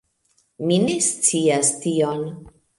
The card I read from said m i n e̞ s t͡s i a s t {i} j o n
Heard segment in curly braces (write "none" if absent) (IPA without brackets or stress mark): i